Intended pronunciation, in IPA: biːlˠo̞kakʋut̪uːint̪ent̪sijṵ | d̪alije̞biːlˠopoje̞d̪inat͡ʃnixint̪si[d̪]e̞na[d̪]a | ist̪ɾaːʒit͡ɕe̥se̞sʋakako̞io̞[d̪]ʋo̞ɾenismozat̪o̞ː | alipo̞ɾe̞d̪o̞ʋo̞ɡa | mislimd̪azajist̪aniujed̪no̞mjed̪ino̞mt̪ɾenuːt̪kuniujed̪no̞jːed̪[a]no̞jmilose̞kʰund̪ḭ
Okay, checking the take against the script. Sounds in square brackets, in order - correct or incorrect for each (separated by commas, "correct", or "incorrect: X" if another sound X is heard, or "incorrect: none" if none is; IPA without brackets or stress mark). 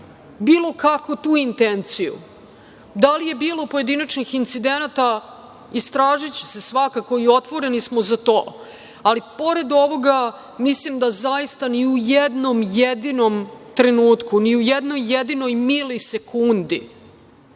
correct, incorrect: t̪, incorrect: t̪, incorrect: i